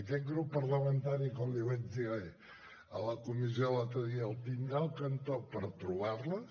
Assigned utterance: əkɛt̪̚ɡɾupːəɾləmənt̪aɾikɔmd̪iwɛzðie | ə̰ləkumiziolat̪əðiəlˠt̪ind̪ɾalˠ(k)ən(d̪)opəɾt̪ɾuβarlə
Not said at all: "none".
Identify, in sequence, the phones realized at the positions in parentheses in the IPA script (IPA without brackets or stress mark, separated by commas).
k, t̪